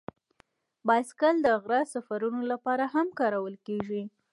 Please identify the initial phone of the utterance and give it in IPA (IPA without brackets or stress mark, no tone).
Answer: b